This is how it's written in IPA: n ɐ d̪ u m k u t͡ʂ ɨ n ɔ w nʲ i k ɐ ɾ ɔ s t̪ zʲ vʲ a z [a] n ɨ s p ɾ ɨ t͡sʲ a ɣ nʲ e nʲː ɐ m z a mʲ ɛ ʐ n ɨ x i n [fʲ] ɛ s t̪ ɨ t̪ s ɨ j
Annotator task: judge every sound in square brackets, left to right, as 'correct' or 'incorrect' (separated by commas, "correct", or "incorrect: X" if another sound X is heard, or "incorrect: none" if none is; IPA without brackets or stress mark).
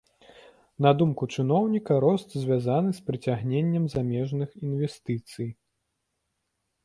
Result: correct, incorrect: vʲ